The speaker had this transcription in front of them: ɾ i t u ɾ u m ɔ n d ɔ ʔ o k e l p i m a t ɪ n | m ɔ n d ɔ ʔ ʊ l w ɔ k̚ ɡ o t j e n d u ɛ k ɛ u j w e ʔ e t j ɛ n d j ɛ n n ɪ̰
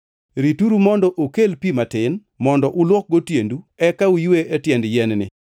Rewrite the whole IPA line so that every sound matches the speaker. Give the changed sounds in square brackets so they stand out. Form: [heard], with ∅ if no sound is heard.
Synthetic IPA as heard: ɾ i t u ɾ u m ɔ n d ɔ ʔ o k e l p i m a t ɪ n | m ɔ n d ɔ ʔ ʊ l w ɔ k̚ ɡ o t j e n d u ɛ k [a] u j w e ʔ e t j ɛ n d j ɛ n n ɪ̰